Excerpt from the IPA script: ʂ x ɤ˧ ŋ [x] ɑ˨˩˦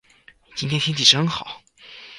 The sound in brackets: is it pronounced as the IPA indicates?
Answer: yes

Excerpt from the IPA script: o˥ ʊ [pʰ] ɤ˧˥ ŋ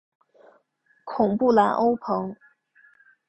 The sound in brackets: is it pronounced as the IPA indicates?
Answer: yes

